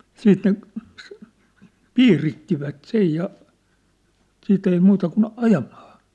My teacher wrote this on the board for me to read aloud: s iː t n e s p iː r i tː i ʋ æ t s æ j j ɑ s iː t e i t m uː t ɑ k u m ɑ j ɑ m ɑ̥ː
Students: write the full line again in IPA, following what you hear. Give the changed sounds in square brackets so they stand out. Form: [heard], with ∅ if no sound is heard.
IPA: s iː t n e s p iː r i tː i ʋ æ t s [e] j j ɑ s iː t e i [∅] m uː t ɑ k u [n] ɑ j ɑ m ɑ̥ː